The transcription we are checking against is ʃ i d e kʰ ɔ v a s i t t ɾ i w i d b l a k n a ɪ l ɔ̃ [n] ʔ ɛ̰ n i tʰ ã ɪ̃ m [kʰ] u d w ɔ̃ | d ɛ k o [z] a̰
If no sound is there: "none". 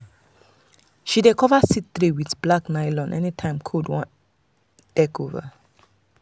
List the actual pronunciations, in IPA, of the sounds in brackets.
n, kʰ, v

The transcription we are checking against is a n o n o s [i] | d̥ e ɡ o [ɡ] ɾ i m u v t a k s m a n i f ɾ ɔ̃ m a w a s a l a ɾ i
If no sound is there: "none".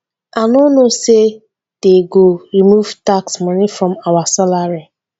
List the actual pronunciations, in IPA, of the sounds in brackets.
e, none

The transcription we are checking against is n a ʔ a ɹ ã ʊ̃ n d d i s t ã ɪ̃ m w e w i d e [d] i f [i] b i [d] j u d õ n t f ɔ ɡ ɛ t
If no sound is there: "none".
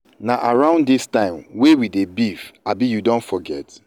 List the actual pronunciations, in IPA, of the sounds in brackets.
b, a, none

